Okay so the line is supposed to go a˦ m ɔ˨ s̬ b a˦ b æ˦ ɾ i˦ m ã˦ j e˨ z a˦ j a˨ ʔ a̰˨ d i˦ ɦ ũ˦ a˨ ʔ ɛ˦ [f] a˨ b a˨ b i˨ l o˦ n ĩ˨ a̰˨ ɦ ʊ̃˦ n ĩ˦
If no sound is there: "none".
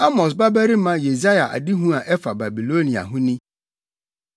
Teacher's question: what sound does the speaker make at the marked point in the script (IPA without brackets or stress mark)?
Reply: f